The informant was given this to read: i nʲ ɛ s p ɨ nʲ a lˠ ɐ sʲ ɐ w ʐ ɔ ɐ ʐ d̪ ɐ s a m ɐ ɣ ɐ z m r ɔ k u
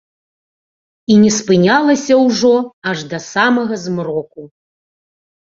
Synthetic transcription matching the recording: i nʲ ɛ s p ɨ nʲ a lˠ ɐ sʲ ɐ w ʐ ɔ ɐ ʐ d̪ ɐ s a m ɐ ɣ ɐ z m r ɔ k u